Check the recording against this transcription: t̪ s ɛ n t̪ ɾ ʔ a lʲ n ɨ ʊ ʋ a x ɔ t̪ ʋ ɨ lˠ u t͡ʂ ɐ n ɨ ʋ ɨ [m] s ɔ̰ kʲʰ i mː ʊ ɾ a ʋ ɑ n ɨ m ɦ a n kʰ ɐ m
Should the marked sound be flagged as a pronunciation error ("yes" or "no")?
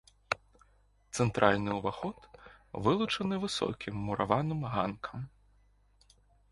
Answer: yes